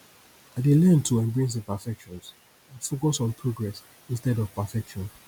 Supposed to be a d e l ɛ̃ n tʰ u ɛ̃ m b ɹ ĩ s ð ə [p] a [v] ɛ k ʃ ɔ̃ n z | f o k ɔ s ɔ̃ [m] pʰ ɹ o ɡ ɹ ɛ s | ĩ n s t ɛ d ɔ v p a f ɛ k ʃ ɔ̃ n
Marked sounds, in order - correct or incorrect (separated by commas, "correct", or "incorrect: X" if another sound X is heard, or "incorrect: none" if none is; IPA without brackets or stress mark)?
correct, incorrect: f, incorrect: n